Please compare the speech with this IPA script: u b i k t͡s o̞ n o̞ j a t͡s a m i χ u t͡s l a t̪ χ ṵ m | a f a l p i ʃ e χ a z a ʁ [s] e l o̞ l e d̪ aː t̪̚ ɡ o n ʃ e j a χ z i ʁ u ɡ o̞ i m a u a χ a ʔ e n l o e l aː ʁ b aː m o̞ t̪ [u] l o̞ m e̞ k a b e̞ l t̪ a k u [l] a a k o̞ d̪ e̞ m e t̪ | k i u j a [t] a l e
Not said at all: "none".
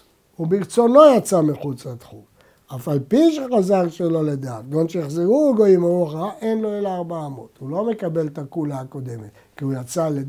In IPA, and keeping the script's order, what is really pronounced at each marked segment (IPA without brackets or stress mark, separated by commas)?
ʃ, u, l, t͡s